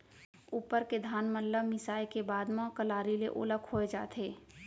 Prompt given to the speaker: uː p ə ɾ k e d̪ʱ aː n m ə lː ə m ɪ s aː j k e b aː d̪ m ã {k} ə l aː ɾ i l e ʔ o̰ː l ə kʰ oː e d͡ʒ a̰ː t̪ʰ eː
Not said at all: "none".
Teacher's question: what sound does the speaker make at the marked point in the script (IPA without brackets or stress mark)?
k